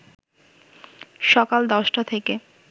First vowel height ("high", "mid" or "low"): mid